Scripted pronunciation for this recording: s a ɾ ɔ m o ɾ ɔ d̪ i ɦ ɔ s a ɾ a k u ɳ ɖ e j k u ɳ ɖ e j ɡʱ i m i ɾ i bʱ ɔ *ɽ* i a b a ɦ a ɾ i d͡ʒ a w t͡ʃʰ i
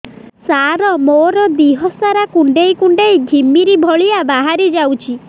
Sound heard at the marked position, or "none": ɭ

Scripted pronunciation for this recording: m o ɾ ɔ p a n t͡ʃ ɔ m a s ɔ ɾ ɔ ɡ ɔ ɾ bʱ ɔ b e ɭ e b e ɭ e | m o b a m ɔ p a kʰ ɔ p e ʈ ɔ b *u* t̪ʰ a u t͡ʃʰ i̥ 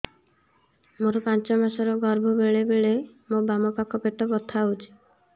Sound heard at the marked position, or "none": ɔ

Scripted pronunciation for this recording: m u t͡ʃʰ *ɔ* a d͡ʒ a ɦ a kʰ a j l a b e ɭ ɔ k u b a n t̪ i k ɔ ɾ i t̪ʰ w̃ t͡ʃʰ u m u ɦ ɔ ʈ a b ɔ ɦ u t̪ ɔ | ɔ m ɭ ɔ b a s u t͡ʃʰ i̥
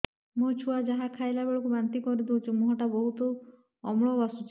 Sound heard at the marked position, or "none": u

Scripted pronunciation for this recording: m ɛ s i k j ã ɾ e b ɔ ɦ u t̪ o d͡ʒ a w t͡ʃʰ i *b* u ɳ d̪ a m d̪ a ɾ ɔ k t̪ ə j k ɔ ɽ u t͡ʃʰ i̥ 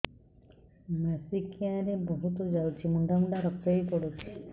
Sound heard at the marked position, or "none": m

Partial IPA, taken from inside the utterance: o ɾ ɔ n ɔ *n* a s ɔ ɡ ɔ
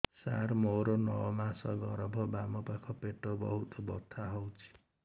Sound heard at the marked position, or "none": m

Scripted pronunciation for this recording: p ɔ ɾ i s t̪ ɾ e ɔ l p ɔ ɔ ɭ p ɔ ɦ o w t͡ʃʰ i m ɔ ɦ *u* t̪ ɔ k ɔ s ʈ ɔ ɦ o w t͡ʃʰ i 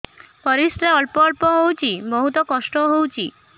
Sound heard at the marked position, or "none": u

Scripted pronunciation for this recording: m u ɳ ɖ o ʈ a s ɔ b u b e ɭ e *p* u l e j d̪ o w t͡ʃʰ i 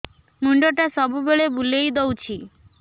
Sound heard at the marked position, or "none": b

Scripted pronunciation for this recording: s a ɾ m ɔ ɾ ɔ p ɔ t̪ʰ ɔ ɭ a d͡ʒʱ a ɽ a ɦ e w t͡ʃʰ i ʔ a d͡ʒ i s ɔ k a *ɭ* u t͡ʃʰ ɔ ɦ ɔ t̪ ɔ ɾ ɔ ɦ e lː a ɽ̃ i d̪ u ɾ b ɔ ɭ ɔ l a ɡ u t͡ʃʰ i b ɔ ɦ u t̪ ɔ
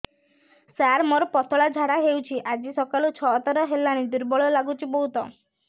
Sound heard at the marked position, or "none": l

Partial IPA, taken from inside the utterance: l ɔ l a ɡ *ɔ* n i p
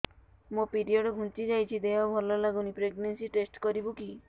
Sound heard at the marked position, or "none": u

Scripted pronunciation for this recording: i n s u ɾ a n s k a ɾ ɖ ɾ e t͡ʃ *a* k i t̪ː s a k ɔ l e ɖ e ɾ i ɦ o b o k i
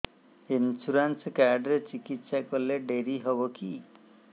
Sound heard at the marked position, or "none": i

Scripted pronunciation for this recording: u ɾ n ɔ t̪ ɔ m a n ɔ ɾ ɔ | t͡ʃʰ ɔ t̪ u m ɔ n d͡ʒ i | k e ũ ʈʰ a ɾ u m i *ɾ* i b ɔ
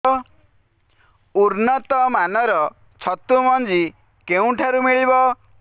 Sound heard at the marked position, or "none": ɭ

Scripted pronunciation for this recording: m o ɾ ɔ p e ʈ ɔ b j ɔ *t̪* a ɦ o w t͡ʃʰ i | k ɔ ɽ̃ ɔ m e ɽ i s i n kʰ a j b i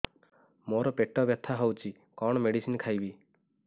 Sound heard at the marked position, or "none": t̪ʰ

